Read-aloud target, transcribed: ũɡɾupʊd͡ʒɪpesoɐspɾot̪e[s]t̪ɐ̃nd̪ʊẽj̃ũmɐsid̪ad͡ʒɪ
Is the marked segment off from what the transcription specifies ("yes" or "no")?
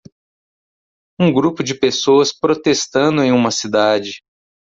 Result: no